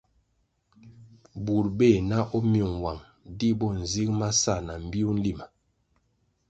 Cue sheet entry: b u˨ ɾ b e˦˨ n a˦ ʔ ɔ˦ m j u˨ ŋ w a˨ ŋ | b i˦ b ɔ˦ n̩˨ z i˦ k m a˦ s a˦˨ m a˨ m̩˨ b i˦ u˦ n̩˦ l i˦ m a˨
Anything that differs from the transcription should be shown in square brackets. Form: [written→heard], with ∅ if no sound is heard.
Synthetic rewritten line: b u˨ ɾ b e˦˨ n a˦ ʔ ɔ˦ m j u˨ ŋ w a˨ ŋ | [b→d] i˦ b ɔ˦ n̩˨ z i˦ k m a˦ s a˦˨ [m→n] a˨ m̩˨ b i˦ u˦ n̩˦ l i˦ m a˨